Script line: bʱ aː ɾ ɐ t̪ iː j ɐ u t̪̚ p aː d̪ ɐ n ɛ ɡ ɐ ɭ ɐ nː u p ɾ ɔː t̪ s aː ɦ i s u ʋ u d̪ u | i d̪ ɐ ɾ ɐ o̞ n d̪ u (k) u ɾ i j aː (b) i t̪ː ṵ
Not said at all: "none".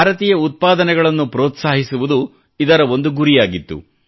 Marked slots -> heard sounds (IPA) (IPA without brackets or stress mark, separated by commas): ɡ, ɡ